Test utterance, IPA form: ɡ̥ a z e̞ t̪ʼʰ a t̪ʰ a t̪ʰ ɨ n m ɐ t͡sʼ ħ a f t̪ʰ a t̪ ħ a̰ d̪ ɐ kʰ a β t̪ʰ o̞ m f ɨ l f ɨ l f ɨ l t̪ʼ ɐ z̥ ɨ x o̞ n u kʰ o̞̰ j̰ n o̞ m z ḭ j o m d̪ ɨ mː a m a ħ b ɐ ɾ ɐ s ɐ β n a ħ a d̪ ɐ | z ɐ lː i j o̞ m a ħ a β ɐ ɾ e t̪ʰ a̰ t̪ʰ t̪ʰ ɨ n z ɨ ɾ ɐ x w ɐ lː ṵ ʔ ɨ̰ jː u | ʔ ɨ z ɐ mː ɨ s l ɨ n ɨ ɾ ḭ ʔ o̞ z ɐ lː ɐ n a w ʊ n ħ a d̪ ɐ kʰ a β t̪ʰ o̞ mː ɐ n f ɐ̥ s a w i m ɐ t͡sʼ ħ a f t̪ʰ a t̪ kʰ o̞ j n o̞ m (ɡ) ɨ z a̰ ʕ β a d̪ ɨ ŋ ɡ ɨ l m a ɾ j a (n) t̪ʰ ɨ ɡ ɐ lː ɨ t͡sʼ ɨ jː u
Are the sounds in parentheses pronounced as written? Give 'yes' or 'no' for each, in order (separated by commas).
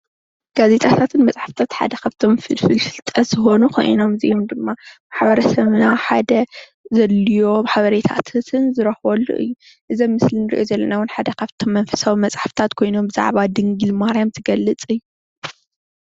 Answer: no, no